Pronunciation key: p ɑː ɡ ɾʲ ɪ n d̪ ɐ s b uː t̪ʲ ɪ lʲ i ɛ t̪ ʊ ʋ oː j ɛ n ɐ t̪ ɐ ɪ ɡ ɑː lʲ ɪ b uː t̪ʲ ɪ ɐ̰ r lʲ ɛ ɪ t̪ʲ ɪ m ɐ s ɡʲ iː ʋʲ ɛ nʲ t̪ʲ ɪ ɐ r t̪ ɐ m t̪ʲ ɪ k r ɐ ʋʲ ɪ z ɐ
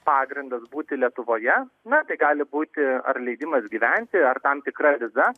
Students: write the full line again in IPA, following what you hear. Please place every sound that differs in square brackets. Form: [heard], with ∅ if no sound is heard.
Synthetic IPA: p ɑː ɡ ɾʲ ɪ n d̪ ɐ s b uː t̪ʲ ɪ lʲ i ɛ t̪ ʊ ʋ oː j ɛ n ɐ t̪ ɐ ɪ ɡ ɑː lʲ ɪ b uː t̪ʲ ɪ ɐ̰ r lʲ ɛ ɪ [d̪ʲ] ɪ m ɐ s ɡʲ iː ʋʲ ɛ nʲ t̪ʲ ɪ ɐ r t̪ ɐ m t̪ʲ ɪ k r ɐ ʋʲ ɪ z ɐ